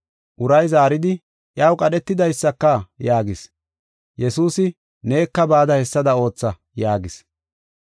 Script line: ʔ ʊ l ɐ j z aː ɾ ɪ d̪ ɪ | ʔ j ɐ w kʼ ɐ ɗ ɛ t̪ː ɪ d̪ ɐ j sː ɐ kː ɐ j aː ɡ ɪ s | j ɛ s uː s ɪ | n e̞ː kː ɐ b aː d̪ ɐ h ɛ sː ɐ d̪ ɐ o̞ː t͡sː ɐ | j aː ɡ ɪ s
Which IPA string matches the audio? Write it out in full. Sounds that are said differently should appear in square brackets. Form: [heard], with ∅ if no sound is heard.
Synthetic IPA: ʔ ʊ [ɾ] ɐ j z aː ɾ ɪ d̪ ɪ | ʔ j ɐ w kʼ ɐ ɗ ɛ t̪ː ɪ d̪ ɐ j sː ɐ kː ɐ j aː ɡ ɪ s | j ɛ s uː s ɪ | n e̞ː kː ɐ b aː d̪ ɐ h ɛ sː ɐ d̪ ɐ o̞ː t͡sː ɐ | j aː ɡ ɪ s

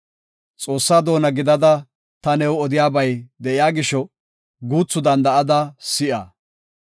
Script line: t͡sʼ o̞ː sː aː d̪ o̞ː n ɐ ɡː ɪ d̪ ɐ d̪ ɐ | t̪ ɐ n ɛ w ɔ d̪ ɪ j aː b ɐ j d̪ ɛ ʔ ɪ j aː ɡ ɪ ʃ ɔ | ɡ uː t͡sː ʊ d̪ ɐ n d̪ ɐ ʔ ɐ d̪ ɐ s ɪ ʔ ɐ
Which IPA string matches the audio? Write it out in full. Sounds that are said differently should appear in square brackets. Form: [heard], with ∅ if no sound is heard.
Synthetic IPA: t͡sʼ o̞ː sː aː d̪ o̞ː n ɐ [ɡ] ɪ d̪ ɐ d̪ ɐ | t̪ ɐ n ɛ w ɔ d̪ ɪ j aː b ɐ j d̪ ɛ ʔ ɪ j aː ɡ ɪ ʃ ɔ | ɡ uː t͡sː ʊ d̪ ɐ n d̪ ɐ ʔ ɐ d̪ ɐ s ɪ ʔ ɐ

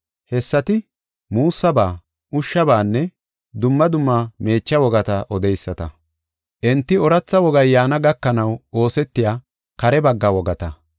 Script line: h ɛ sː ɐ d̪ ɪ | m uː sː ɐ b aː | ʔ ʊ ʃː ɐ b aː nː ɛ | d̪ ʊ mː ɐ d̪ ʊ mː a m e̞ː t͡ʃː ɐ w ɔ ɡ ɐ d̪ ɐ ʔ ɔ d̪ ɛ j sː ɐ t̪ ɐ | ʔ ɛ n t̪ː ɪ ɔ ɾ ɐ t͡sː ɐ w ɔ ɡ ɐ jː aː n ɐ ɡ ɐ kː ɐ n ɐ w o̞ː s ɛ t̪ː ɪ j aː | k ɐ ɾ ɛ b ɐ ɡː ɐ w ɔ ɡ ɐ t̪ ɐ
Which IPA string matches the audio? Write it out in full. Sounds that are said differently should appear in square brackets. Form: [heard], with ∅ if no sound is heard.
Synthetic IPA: h ɛ sː ɐ [t̪] ɪ | m uː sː ɐ b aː | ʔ ʊ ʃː ɐ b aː nː ɛ | d̪ ʊ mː ɐ d̪ ʊ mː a m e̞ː t͡ʃː ɐ w ɔ ɡ ɐ [t̪] ɐ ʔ ɔ d̪ ɛ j sː ɐ t̪ ɐ | ʔ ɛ n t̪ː ɪ ɔ ɾ ɐ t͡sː ɐ w ɔ ɡ ɐ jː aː n ɐ ɡ ɐ kː ɐ n ɐ w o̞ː s ɛ t̪ː ɪ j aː | k ɐ ɾ ɛ b ɐ ɡː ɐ w ɔ ɡ ɐ t̪ ɐ

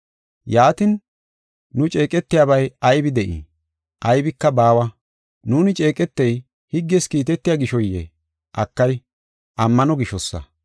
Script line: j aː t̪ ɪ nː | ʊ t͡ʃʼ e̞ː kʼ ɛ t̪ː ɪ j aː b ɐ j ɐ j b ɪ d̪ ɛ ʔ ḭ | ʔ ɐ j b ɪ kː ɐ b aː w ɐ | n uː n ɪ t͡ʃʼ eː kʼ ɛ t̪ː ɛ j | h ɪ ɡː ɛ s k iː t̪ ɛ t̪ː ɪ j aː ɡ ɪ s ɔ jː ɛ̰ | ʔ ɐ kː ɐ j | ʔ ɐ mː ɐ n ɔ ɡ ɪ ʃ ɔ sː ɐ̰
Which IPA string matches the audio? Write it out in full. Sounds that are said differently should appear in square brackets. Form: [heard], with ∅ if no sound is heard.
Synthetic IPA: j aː t̪ ɪ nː | ʊ t͡ʃʼ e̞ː kʼ ɛ t̪ː ɪ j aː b ɐ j ɐ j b ɪ d̪ ɛ ʔ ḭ | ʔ ɐ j b ɪ kː ɐ b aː w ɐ | n uː n ɪ t͡ʃʼ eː kʼ ɛ t̪ː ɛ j | h ɪ ɡː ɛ s k iː t̪ ɛ t̪ː ɪ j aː ɡ ɪ [ʃ] ɔ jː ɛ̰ | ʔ ɐ kː ɐ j | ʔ ɐ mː ɐ n ɔ ɡ ɪ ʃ ɔ sː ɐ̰

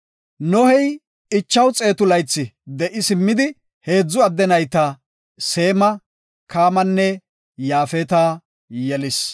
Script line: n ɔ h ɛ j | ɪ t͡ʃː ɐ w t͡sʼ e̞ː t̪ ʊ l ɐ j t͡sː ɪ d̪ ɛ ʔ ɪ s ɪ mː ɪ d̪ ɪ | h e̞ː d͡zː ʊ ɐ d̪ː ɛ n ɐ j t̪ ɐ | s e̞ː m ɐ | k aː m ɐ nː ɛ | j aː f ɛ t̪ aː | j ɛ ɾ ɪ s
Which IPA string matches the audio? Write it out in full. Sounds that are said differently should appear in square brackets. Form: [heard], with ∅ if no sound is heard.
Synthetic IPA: n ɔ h ɛ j | ɪ t͡ʃː ɐ w t͡sʼ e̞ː t̪ ʊ l ɐ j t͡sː ɪ d̪ ɛ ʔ ɪ s ɪ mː ɪ d̪ ɪ | h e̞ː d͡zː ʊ ɐ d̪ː ɛ n ɐ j t̪ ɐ | s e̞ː m ɐ | k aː m ɐ nː ɛ | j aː f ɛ t̪ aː | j ɛ [l] ɪ s

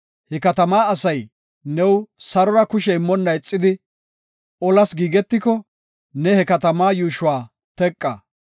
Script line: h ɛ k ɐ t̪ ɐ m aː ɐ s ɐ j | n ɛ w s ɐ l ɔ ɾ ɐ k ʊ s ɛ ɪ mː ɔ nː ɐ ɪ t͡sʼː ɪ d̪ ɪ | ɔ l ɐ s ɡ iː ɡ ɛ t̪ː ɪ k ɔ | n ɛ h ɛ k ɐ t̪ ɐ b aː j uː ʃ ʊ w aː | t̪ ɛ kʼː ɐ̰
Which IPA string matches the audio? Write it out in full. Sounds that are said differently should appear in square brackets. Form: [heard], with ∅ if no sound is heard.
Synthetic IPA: h ɛ k ɐ t̪ ɐ m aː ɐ s ɐ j | n ɛ w s ɐ [ɾ] ɔ ɾ ɐ k ʊ [ʃ] ɛ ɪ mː ɔ nː ɐ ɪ t͡sʼː ɪ d̪ ɪ | ɔ l ɐ s ɡ iː ɡ ɛ t̪ː ɪ k ɔ | n ɛ h ɛ k ɐ t̪ ɐ [m] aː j uː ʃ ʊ w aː | t̪ ɛ kʼː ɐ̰

